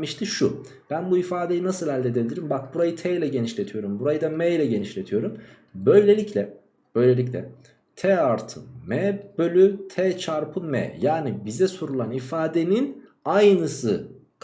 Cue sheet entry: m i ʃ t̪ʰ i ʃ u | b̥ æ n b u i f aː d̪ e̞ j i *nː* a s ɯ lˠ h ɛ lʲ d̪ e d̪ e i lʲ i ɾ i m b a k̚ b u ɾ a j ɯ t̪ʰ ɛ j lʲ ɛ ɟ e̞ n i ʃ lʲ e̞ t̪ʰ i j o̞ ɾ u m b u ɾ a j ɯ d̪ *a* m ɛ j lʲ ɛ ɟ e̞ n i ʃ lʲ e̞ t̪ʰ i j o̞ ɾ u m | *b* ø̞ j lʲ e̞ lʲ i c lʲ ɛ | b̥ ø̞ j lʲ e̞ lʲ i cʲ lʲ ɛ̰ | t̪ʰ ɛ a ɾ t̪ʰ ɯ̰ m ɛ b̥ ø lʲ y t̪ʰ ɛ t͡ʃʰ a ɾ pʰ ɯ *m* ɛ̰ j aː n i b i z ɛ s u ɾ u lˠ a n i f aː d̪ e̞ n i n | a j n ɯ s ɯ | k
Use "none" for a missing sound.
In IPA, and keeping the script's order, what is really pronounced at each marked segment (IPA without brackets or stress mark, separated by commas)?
n, a, b, m